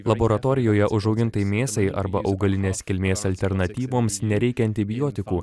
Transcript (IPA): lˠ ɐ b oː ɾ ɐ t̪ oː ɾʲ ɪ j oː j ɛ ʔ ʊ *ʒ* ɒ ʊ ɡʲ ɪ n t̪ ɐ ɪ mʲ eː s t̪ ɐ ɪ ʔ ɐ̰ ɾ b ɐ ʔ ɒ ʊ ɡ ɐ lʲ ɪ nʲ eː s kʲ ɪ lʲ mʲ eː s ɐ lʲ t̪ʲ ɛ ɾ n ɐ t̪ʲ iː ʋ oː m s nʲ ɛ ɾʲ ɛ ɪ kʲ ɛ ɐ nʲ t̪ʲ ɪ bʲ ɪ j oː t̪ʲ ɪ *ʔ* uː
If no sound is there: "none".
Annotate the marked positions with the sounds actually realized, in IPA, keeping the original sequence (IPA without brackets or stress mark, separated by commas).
ʒ, k